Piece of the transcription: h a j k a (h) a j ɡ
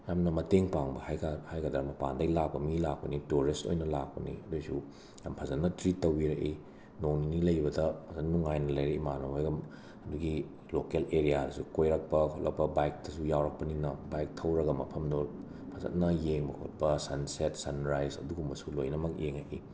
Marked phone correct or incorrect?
correct